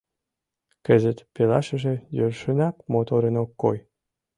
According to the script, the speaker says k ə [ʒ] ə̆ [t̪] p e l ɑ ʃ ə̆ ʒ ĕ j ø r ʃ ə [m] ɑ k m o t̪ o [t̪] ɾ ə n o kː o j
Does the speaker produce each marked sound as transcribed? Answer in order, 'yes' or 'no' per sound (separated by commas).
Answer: no, yes, no, no